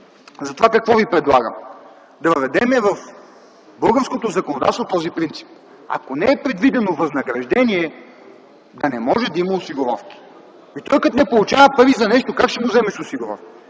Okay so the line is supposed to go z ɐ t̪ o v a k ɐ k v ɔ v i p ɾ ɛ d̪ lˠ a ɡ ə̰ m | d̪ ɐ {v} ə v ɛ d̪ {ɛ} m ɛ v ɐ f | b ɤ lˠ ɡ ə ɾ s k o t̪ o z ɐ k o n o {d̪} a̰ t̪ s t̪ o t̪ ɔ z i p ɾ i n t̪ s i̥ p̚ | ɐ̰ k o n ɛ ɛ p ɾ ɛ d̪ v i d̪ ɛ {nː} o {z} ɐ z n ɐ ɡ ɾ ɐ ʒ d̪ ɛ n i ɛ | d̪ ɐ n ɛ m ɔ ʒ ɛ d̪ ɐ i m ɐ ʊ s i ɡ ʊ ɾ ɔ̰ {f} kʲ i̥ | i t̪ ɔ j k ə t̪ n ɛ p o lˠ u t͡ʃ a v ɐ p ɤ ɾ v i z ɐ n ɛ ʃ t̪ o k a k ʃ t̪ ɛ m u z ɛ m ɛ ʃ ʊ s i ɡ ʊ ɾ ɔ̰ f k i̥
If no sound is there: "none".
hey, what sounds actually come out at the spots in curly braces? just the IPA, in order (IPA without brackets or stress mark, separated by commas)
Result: v, ɛ, d̪, n, v, f